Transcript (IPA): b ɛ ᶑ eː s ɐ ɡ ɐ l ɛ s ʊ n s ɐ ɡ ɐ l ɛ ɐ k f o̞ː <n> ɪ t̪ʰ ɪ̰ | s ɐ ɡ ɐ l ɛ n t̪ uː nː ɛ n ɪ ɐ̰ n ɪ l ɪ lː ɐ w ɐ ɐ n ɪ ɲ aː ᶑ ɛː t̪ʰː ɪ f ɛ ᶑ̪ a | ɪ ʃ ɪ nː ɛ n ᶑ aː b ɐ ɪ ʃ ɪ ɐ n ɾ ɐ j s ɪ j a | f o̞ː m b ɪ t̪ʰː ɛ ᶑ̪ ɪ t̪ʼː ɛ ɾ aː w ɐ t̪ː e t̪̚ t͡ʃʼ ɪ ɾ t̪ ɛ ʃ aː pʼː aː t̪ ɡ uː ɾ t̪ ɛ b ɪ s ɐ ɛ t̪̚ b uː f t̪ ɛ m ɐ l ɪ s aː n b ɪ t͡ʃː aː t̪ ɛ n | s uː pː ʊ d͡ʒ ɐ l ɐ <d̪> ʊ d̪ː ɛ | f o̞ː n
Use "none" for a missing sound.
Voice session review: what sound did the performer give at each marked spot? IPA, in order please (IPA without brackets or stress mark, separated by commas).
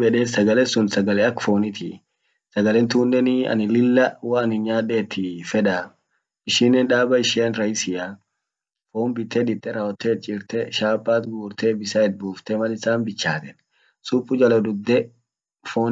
n, d̪